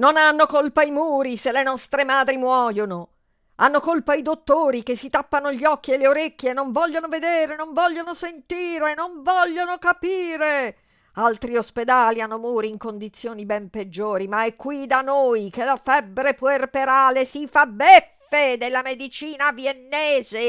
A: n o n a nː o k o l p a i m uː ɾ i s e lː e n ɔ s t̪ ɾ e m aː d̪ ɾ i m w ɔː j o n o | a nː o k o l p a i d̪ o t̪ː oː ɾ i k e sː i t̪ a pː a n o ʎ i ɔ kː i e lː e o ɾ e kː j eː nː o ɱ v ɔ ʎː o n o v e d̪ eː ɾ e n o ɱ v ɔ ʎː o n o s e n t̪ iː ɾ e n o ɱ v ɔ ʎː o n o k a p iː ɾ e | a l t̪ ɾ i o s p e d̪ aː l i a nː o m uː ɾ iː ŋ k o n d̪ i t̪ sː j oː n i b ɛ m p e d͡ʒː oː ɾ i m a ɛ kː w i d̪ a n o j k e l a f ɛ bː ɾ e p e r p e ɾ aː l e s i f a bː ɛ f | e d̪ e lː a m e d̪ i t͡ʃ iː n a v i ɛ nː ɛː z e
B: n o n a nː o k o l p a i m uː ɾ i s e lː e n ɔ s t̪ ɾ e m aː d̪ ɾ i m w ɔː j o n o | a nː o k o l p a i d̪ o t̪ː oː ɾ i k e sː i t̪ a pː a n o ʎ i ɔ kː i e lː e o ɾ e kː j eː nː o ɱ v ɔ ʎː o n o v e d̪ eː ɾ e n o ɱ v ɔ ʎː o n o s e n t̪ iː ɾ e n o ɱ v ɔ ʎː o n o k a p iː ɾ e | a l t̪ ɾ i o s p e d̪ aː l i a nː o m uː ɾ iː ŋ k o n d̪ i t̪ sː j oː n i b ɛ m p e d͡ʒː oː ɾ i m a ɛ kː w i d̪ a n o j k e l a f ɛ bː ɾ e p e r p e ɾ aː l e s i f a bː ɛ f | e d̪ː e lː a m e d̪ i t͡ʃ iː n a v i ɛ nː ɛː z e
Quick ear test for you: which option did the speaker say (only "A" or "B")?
A